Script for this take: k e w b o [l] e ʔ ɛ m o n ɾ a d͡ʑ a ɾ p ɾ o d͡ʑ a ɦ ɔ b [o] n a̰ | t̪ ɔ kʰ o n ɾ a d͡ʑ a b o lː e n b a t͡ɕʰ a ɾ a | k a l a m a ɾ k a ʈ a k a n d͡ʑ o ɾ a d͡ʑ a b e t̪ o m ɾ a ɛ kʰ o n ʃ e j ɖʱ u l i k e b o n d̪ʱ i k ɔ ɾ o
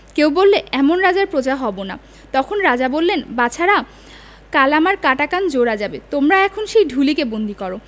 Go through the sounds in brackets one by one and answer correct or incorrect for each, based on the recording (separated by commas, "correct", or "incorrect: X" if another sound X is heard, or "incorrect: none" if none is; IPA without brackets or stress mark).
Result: incorrect: lː, correct